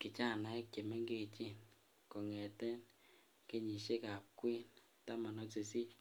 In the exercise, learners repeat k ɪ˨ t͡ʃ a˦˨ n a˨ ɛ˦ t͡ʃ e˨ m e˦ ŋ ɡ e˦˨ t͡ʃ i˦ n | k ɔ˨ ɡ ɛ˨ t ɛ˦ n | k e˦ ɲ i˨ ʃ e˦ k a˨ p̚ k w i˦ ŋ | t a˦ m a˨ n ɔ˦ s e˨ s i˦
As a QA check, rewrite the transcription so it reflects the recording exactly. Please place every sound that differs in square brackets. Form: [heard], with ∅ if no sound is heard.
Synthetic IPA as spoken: k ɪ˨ t͡ʃ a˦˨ n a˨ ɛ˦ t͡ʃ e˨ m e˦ ŋ ɡ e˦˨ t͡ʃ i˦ n | k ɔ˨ [ŋ] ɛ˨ t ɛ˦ n | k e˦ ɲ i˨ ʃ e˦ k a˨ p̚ k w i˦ [n] | t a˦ m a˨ n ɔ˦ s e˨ s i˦